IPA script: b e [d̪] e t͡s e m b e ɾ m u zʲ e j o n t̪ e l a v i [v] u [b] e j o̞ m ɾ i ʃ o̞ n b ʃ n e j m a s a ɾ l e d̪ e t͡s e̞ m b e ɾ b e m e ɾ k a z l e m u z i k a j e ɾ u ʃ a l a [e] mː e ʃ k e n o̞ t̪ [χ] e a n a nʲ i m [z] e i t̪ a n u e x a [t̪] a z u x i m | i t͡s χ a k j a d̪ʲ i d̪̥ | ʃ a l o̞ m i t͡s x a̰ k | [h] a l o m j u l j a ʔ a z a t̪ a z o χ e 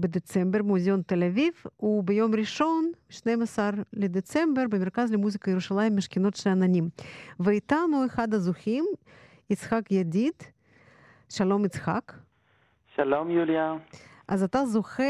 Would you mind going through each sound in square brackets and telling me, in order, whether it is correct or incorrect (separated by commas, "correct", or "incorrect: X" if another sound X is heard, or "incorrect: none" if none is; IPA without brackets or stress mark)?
correct, correct, correct, incorrect: i, incorrect: ʃ, incorrect: v, incorrect: d̪, incorrect: ʃ